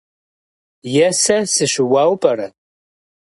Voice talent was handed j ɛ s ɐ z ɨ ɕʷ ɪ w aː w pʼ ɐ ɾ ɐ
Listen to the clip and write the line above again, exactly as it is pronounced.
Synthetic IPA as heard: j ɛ s ɐ s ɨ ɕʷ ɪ w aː w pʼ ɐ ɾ ɐ